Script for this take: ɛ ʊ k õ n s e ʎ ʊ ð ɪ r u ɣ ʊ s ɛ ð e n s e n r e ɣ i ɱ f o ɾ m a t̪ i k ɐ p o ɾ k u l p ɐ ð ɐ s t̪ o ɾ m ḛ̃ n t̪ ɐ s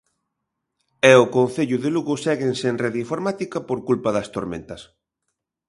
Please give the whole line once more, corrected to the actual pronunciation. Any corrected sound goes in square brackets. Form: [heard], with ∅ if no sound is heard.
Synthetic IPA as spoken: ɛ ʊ k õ n [θ] e ʎ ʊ ð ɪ [l] u ɣ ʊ s ɛ [ɣ] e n s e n r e [ð] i ɱ f o ɾ m a t̪ i k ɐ p o ɾ k u l p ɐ ð ɐ s t̪ o ɾ m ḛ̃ n t̪ ɐ s